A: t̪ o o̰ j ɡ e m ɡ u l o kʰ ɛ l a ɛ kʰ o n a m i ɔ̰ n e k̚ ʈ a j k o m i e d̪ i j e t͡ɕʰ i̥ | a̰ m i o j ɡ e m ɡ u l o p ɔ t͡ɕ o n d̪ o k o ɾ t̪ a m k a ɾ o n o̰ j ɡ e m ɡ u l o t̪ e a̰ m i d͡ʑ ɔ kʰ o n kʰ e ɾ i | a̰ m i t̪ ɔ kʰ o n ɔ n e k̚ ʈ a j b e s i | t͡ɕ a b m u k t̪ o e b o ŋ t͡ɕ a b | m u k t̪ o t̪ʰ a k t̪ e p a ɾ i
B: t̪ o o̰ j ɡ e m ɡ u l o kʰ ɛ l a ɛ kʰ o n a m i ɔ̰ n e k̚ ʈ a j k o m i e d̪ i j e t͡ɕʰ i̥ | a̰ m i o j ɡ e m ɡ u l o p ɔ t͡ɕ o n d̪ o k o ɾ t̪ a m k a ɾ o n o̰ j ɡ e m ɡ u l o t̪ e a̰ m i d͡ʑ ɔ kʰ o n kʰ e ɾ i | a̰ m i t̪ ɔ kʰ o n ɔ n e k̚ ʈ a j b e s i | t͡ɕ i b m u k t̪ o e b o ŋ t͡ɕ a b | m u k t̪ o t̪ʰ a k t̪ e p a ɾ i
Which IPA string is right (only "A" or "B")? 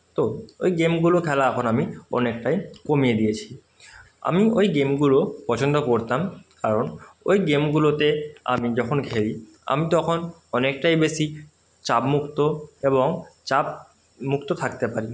A